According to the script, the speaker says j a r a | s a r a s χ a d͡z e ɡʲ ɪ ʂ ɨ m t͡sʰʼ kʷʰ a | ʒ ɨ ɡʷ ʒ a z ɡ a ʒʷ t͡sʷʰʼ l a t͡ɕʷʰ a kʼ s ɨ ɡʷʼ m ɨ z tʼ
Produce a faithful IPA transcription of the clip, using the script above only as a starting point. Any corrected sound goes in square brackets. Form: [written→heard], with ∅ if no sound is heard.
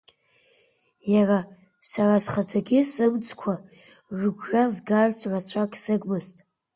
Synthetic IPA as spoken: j a r a | s a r a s χ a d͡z [e→a] ɡʲ ɪ [ʂ→s] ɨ m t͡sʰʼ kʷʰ a | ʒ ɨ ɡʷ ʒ a z ɡ a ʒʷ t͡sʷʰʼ [l→r] a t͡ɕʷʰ a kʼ s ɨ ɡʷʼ m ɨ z tʼ